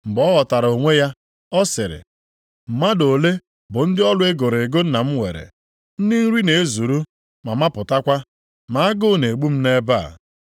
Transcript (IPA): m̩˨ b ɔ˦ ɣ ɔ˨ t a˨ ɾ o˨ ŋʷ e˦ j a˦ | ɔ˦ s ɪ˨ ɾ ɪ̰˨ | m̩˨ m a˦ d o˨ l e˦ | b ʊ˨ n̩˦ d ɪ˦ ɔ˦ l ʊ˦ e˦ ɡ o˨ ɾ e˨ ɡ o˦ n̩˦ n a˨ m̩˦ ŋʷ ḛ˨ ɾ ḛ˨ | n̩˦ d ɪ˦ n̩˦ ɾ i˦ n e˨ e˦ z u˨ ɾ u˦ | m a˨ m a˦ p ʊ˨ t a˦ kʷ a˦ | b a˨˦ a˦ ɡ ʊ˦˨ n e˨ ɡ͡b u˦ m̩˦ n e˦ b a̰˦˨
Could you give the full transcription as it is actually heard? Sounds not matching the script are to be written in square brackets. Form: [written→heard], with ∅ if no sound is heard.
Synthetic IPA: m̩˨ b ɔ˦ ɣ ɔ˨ t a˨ ɾ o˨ ŋʷ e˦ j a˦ | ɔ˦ s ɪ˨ ɾ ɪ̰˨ | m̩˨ m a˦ d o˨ l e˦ | b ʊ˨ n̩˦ d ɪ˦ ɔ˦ l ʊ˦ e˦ ɡ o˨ ɾ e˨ ɡ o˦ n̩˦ n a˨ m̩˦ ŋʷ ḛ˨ ɾ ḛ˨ | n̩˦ d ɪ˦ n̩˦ ɾ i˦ n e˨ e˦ z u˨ ɾ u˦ | m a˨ m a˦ p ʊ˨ t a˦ kʷ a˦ | [b→m] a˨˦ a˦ ɡ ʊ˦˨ n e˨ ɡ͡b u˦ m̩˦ n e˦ b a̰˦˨